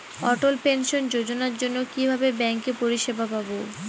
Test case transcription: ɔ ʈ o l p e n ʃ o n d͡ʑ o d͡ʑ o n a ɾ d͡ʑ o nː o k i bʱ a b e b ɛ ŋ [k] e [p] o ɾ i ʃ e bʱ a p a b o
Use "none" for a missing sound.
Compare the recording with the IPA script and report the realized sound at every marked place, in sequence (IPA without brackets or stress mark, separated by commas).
k, p